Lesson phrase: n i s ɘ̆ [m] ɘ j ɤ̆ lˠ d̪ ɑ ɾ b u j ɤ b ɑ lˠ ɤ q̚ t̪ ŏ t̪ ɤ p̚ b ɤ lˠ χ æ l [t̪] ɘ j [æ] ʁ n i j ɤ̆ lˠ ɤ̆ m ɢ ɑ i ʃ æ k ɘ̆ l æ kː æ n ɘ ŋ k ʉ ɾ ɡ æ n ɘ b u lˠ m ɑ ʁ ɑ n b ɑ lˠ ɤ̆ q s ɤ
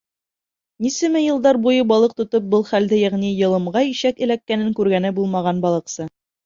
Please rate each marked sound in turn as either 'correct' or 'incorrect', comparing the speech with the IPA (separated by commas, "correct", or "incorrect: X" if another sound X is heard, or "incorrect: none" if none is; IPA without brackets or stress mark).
correct, incorrect: d̪, correct